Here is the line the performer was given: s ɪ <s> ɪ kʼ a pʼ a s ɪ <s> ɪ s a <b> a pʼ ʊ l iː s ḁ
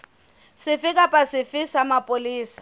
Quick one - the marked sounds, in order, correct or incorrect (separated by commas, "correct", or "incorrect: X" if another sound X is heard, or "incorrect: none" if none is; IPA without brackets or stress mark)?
incorrect: f, incorrect: f, incorrect: m